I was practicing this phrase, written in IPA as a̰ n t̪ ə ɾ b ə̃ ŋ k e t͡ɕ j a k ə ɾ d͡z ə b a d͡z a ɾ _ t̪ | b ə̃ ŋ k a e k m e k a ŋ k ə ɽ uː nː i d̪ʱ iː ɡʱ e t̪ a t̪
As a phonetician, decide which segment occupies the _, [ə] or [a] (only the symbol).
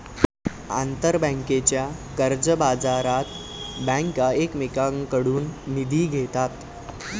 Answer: a